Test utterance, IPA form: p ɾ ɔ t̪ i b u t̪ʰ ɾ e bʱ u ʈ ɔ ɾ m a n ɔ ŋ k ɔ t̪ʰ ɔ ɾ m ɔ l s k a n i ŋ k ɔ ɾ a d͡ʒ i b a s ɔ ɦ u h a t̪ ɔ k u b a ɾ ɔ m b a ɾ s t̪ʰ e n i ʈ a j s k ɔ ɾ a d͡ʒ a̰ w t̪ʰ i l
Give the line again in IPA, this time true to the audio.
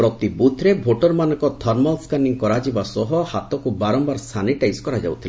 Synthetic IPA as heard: p ɾ ɔ t̪ i b u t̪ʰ ɾ e bʱ o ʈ ɔ ɾ m a n ɔ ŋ k ɔ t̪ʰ ɔ ɾ m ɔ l s k a n i ŋ k ɔ ɾ a d͡ʒ i b a s ɔ ɦ ɔ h a t̪ ɔ k u b a ɾ ɔ m b a ɾ s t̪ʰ a n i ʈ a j s k ɔ ɾ a d͡ʒ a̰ w t̪ʰ i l

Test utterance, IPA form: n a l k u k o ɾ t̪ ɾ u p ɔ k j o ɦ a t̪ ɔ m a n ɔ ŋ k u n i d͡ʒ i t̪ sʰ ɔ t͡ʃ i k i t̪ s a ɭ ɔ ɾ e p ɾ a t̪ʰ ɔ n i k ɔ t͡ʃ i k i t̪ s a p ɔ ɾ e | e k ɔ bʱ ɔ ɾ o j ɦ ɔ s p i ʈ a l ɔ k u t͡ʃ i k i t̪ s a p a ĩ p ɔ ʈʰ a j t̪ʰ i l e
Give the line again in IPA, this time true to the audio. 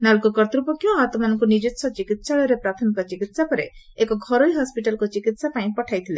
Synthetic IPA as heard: n a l k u k ɔ ɾ t̪ ɾ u p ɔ k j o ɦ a t̪ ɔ m a n ɔ ŋ k u n i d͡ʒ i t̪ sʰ ɔ t͡ʃ i k i t̪ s a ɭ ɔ ɾ e p ɾ a t̪ʰ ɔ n i k ɔ t͡ʃ i k i t̪ s a p ɔ ɾ e | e k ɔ ɡʱ ɔ ɾ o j ɦ ɔ s p i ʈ a l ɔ k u t͡ʃ i k i t̪ s a p a ĩ p ɔ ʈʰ a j t̪ʰ i l e

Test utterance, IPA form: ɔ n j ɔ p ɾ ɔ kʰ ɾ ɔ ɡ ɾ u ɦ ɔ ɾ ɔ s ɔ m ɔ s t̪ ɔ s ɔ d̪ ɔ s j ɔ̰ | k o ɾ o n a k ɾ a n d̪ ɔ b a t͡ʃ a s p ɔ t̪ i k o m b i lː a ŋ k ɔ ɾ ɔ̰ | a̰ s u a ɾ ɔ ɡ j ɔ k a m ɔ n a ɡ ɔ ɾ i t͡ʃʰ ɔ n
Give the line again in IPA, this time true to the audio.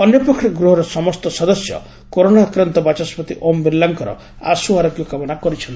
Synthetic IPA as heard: ɔ n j ɔ p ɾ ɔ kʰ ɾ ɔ ɡ ɾ u ɦ ɔ ɾ ɔ s ɔ m ɔ s t̪ ɔ s ɔ d̪ ɔ s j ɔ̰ | k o ɾ o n a k ɾ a n t̪ ɔ b a t͡ʃ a s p ɔ t̪ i ʔ o m b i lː a ŋ k ɔ ɾ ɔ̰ | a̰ s u a ɾ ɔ ɡ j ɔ k a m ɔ n a k ɔ ɾ i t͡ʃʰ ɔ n

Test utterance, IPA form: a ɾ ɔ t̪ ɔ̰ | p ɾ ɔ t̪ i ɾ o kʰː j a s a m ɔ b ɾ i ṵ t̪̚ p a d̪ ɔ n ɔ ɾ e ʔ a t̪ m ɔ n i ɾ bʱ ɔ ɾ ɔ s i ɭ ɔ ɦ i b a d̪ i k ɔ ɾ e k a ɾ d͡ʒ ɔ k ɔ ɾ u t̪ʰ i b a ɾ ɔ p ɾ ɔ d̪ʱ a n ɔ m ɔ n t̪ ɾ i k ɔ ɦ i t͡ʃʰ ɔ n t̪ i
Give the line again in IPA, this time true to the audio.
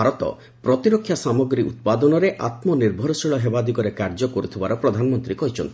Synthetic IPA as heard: a ɾ ɔ t̪ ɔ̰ | p ɾ ɔ t̪ i ɾ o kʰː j a s a m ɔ ɡ ɾ i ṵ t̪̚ p a d̪ ɔ n ɔ ɾ e ʔ a t̪ m ɔ n i ɾ bʱ ɔ ɾ ɔ s i ɭ ɔ ɦ e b a d̪ i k ɔ ɾ e k a ɾ d͡ʒ ɔ k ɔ ɾ u t̪ʰ i b a ɾ ɔ p ɾ ɔ d̪ʱ a n ɔ m ɔ n t̪ ɾ i k ɔ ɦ i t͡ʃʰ ɔ n t̪ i

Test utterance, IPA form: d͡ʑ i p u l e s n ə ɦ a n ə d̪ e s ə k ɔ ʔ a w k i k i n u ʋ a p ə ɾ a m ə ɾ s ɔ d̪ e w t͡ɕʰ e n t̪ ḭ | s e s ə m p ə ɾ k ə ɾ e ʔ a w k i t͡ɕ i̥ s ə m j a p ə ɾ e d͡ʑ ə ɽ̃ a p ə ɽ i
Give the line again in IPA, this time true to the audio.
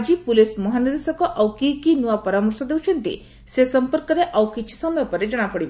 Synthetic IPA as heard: d͡ʑ i p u l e s m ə ɦ a n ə d̪ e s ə k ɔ ʔ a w k i k i n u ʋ a p ə ɾ a m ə ɾ s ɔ d̪ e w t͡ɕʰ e n t̪ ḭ | s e s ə m p ə ɾ k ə ɾ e ʔ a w k i t͡ɕ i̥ s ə m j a p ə ɾ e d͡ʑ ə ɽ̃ a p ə ɽ i

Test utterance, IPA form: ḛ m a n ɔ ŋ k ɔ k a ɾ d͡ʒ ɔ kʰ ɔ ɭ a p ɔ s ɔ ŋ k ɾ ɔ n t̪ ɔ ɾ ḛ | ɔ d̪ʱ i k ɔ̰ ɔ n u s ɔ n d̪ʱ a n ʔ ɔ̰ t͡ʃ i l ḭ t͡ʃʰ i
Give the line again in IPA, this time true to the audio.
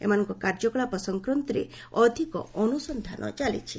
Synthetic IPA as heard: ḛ m a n ɔ ŋ k ɔ k a ɾ d͡ʒ ɔ k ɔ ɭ a p ɔ s ɔ ŋ k ɾ ɔ n t̪ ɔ ɾ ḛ | ɔ d̪ʱ i k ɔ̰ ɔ n u s ɔ n d̪ʱ a n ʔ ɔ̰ t͡ʃ a l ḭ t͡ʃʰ i

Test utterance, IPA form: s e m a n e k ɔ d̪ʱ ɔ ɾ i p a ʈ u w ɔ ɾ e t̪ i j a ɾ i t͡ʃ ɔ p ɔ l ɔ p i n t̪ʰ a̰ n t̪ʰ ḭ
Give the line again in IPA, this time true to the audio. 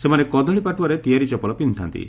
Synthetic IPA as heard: s e m a n e k ɔ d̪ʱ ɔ ɭ i p a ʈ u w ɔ ɾ e t̪ i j a ɾ i t͡ʃ ɔ p ɔ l ɔ p i n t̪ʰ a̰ n t̪ ḭ

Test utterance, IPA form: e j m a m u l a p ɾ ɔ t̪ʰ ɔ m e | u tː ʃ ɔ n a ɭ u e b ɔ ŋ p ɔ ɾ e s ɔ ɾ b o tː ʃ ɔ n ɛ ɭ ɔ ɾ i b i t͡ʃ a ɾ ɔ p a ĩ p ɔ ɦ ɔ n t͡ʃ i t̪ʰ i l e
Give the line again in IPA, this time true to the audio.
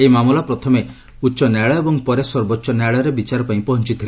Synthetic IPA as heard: e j m a m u l a p ɾ ɔ t̪ʰ ɔ m e | u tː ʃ ɔ n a ɭ ɔ e b ɔ ŋ p ɔ ɾ e s ɔ ɾ b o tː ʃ ɔ n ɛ ɭ ɔ ɾ e b i t͡ʃ a ɾ ɔ p a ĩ p ɔ ɦ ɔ n t͡ʃ i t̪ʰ i l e

